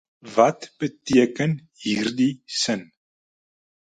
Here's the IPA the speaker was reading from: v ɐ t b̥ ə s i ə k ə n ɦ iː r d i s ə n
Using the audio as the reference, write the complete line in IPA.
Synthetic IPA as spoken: v ɐ t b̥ ə t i ə k ə n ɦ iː r d i s ə n